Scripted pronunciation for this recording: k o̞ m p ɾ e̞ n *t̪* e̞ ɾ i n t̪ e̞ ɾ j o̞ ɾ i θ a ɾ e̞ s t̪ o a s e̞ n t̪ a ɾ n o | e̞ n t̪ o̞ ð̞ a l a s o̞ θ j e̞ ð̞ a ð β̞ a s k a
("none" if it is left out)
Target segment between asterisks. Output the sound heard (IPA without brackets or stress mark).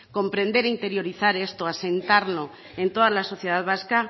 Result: d̪